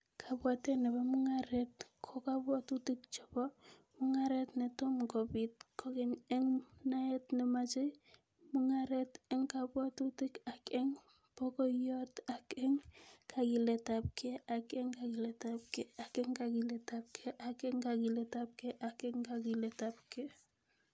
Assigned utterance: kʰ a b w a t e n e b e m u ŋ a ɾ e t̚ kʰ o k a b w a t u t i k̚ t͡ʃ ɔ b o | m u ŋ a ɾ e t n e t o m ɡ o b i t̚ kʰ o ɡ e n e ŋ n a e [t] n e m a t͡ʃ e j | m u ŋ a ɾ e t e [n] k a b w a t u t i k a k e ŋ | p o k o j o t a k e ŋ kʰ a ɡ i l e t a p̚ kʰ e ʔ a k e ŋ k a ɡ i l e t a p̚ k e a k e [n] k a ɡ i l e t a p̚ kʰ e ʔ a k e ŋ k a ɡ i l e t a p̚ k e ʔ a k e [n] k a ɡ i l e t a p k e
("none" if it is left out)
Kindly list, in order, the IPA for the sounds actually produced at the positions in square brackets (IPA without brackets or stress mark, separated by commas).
t, ŋ, ŋ, ŋ